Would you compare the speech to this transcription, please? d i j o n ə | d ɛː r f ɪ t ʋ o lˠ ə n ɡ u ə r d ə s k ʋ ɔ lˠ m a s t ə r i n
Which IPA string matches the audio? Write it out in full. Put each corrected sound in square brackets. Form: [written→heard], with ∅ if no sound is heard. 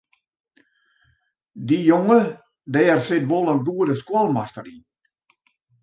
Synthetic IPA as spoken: d i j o [n→ŋ] ə | d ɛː r [f→s] ɪ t ʋ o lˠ ə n ɡ u ə [r→∅] d ə s k [ʋ→w] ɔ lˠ m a s t ə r i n